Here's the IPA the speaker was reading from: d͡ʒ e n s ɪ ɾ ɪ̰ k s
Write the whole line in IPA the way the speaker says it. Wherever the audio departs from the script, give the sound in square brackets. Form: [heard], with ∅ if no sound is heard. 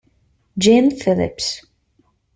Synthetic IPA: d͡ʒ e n [f] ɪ [l] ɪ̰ [p] s